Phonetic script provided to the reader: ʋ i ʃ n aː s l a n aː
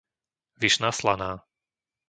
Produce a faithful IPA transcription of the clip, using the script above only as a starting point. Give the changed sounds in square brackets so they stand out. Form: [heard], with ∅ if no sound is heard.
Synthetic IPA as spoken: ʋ i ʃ n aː s l a n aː